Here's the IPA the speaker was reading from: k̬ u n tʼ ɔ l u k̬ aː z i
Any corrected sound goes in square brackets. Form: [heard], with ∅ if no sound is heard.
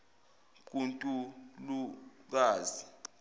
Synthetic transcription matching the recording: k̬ u n tʼ [u] l u k̬ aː z i